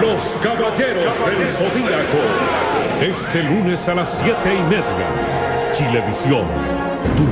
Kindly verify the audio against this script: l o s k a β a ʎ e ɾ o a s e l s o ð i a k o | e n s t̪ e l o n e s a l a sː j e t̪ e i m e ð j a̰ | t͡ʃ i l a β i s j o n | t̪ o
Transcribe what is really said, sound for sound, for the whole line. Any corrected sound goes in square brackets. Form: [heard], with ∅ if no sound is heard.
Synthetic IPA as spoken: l o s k a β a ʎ e ɾ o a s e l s o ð i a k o | e [∅] s t̪ e l [u] n e s a l a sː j e t̪ e i m e ð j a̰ | t͡ʃ i l [e] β i s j o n | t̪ [u]